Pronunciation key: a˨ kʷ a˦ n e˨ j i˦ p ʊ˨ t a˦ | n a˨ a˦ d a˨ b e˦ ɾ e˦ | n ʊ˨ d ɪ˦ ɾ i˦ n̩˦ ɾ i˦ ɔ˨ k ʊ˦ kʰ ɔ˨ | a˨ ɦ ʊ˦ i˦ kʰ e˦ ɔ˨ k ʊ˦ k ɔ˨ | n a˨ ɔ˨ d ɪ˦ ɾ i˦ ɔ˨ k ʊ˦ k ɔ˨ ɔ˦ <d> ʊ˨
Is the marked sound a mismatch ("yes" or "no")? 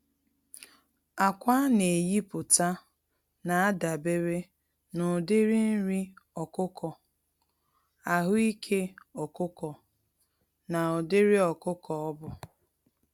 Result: yes